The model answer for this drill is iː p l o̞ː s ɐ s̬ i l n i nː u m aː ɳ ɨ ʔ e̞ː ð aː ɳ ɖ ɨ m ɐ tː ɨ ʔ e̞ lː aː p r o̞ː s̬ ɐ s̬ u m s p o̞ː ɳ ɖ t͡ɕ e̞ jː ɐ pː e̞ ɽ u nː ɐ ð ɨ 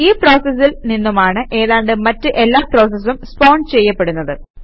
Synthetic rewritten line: iː p r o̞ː s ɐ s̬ i l n i nː u m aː ɳ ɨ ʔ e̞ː ð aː ɳ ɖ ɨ m ɐ tː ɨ ʔ e̞ lː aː p r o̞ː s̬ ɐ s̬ u m s p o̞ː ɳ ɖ t͡ɕ e̞ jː ɐ pː e̞ ɽ u nː ɐ ð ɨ